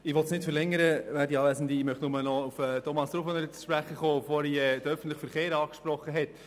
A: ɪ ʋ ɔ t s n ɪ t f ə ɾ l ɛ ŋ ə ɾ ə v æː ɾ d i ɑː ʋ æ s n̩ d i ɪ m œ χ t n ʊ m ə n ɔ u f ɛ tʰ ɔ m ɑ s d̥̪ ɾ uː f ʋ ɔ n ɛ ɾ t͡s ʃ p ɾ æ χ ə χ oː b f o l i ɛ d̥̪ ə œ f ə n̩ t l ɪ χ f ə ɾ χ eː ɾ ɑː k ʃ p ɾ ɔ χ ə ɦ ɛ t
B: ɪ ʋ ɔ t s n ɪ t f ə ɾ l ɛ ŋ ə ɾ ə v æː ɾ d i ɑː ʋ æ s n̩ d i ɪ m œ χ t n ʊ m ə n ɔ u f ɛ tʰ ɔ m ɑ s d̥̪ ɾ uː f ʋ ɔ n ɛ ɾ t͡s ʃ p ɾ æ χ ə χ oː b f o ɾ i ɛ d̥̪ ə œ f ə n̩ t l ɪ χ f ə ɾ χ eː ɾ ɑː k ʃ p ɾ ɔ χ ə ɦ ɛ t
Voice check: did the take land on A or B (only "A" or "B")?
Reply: B